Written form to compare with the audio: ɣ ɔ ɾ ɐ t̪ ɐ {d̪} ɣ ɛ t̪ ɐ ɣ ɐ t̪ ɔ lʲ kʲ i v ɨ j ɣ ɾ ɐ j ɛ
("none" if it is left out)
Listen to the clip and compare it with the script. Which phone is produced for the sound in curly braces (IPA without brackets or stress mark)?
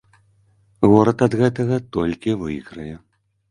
d̪